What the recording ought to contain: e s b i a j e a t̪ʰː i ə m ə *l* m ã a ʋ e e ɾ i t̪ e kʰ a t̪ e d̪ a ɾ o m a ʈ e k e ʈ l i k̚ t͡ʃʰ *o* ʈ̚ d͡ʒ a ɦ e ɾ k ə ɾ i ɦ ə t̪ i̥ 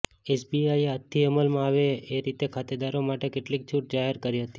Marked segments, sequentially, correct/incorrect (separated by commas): correct, incorrect